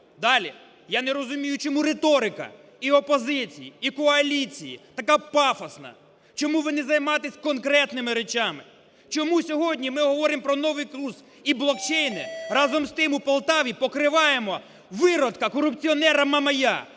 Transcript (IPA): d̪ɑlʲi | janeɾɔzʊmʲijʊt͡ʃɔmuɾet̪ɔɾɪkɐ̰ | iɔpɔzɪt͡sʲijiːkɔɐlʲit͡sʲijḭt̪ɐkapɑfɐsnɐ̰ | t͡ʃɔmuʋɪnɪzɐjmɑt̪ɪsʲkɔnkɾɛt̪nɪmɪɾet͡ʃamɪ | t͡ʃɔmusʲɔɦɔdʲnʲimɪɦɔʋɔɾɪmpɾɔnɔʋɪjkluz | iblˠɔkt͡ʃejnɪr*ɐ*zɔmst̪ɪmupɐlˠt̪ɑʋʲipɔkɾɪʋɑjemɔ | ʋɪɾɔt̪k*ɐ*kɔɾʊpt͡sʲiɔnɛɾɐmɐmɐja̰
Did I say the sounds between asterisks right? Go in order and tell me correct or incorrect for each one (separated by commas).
incorrect, correct